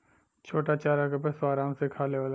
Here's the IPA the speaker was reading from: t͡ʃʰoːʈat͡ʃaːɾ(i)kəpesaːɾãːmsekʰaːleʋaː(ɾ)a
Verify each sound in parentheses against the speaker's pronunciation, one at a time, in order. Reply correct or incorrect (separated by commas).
incorrect, incorrect